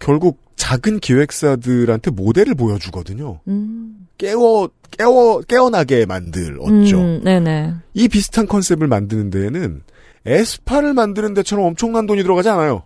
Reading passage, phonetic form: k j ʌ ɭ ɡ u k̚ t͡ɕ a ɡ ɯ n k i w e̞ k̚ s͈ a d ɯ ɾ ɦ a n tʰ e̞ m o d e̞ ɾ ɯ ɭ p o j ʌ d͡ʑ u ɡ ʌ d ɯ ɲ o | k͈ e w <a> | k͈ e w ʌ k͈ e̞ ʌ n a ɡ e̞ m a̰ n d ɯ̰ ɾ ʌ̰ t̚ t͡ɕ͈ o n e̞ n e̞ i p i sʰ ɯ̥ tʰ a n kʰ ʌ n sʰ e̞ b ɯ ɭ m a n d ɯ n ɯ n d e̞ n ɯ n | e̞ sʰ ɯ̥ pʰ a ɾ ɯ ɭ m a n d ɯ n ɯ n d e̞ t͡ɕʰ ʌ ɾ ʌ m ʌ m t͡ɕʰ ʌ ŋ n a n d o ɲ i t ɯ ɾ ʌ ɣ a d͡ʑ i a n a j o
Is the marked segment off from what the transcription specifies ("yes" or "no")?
yes